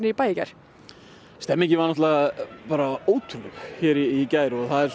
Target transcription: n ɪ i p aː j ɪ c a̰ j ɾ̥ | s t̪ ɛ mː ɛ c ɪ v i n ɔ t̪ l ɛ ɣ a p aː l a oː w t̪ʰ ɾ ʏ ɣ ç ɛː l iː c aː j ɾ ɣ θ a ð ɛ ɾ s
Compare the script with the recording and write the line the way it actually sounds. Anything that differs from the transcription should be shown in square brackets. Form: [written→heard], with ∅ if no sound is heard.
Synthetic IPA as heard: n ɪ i p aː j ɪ c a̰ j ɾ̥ | s t̪ ɛ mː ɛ c ɪ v [i→a] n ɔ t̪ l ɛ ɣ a p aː [l→ɾ] a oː w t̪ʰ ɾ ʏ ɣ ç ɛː [l→ɾ] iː c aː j ɾ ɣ θ a ð ɛ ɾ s